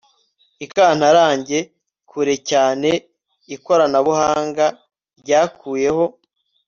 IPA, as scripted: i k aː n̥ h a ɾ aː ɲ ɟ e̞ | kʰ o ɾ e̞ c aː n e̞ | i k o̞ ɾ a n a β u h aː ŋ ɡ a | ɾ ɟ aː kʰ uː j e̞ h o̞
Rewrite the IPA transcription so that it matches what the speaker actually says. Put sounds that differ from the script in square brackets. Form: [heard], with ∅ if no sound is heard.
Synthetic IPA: i k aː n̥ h a ɾ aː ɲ ɟ e̞ | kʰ [u] ɾ e̞ c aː n e̞ | i k o̞ ɾ a n a β u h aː ŋ ɡ a | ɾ ɟ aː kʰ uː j e̞ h o̞